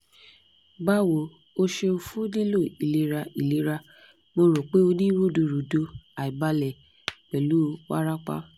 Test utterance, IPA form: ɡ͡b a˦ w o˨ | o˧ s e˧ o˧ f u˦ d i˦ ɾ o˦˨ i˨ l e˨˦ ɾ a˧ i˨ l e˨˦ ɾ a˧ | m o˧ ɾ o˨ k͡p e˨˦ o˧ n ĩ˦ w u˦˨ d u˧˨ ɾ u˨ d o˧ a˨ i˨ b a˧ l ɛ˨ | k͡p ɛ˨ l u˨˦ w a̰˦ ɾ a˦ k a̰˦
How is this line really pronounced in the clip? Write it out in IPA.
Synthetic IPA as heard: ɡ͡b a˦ w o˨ | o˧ ʃ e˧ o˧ f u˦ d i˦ l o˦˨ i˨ l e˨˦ ɾ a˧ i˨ l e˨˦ ɾ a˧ | m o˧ ɾ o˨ k͡p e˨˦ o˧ n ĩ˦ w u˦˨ d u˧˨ ɾ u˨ d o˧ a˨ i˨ b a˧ l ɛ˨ | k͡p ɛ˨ l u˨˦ w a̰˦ ɾ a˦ k͡p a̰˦